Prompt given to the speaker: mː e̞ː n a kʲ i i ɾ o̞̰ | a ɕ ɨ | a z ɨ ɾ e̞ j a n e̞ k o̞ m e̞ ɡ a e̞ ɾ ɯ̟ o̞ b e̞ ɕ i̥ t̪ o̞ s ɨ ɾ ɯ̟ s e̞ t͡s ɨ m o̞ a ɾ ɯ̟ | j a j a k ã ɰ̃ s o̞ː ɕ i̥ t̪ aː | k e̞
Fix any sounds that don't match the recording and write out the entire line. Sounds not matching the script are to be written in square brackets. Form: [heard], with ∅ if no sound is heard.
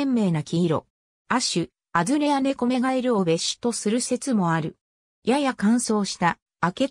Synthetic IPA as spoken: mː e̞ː n a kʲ i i ɾ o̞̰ | a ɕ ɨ | a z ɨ ɾ e̞ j a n e̞ k o̞ m e̞ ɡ a e̞ ɾ ɯ̟ o̞ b e̞ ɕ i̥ t̪ o̞ s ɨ ɾ ɯ̟ s e̞ t͡s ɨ m o̞ a ɾ ɯ̟ | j a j a k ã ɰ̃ s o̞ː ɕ i̥ t̪ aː | k e̞

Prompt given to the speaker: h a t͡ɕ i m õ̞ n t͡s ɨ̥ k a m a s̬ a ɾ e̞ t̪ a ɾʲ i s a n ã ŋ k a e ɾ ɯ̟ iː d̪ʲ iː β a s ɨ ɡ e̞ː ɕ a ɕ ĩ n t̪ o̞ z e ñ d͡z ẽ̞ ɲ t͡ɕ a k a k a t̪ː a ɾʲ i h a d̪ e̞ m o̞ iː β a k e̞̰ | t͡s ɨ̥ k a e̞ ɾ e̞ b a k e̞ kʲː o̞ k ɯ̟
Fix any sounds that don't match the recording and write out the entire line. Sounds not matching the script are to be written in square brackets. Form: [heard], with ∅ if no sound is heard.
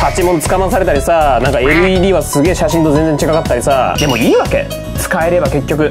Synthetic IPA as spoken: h a t͡ɕ i m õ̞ n t͡s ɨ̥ k a m a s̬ a ɾ e̞ t̪ a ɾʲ i s a n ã ŋ k a e ɾ ɯ̟ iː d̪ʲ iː β a s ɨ ɡ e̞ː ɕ a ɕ ĩ n t̪ o̞ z e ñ d͡z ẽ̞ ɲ t͡ɕ [i] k a k a t̪ː a ɾʲ i [s] a d̪ e̞ m o̞ iː β a k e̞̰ | t͡s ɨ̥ k a e̞ ɾ e̞ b a k e̞ kʲː o̞ k ɯ̟

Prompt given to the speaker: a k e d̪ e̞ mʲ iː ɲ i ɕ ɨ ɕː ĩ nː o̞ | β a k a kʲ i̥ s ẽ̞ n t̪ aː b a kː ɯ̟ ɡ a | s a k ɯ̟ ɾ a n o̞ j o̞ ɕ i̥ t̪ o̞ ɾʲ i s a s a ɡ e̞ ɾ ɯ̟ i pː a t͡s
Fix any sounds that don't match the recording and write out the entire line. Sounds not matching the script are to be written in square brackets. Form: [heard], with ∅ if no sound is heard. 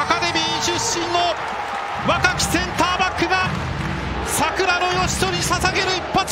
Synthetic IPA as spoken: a k [a] d̪ e̞ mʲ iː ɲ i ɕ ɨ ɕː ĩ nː o̞ | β a k a kʲ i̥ s ẽ̞ n t̪ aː b a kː ɯ̟ ɡ a | s a k ɯ̟ ɾ a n o̞ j o̞ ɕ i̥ t̪ o̞ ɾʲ i s a s a ɡ e̞ ɾ ɯ̟ i pː a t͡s

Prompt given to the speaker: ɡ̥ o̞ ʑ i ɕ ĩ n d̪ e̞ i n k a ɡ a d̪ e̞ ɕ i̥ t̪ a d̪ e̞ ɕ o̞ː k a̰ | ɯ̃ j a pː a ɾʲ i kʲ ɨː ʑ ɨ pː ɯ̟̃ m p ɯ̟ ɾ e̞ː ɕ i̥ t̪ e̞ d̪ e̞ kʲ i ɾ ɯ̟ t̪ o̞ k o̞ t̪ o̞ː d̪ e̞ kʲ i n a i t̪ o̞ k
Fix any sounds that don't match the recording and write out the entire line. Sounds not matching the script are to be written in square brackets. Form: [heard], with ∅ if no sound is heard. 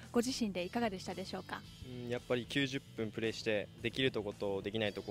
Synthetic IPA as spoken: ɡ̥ o̞ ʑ i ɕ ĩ n d̪ e̞ i [∅] k a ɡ a d̪ e̞ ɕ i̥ t̪ a d̪ e̞ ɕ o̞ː k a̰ | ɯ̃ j a pː a ɾʲ i kʲ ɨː ʑ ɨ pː ɯ̟̃ m p ɯ̟ ɾ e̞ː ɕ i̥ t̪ e̞ d̪ e̞ kʲ i ɾ ɯ̟ t̪ o̞ k o̞ t̪ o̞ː d̪ e̞ kʲ i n a i t̪ o̞ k

